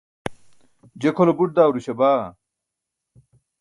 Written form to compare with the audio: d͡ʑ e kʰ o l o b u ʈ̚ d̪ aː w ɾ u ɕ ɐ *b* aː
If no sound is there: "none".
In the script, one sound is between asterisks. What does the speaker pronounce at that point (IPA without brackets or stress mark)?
b